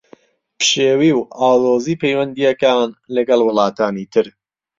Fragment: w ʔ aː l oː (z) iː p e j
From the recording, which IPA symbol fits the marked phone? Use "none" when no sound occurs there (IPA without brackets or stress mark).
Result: z